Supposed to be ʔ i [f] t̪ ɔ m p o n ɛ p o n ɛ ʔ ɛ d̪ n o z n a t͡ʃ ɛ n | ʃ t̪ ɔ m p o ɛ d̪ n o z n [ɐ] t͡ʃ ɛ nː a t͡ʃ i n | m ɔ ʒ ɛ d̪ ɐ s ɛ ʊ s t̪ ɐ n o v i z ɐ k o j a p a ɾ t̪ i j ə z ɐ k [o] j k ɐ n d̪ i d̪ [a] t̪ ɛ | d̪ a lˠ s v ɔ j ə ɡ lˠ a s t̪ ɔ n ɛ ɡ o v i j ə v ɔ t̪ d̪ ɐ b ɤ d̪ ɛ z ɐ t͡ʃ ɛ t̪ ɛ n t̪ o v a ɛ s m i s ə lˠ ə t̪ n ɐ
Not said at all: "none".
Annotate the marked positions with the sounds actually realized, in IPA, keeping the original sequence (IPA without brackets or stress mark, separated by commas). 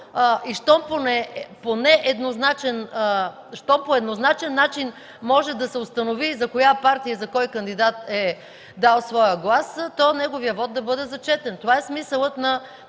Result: ʃ, a, ɔ, a